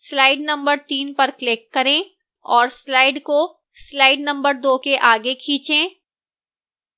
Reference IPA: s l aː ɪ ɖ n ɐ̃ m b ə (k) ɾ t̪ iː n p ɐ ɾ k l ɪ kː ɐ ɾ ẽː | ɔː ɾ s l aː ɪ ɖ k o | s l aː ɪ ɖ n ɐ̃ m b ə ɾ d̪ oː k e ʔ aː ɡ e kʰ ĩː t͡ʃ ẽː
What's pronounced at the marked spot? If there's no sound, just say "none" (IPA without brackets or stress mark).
none